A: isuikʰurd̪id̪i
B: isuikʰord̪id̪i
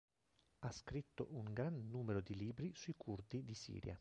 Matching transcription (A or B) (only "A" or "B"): A